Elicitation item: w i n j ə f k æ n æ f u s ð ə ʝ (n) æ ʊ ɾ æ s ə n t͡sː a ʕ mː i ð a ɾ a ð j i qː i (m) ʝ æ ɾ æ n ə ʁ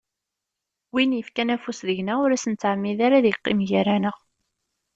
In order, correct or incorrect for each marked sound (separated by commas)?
correct, correct